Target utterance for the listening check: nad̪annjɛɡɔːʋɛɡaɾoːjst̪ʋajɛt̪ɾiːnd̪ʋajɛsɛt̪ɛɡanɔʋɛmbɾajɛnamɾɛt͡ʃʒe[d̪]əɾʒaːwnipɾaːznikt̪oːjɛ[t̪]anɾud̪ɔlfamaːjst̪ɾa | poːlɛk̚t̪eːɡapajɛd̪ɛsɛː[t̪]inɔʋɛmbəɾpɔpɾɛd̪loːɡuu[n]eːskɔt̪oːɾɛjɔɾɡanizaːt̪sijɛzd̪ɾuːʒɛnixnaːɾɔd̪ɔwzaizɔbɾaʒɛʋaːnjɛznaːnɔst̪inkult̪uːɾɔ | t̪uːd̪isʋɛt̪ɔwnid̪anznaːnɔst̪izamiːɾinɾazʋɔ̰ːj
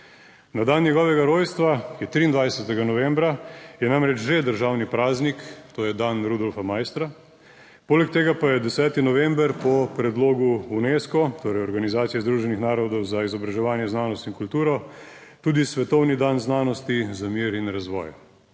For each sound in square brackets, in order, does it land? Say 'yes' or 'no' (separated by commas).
yes, no, yes, yes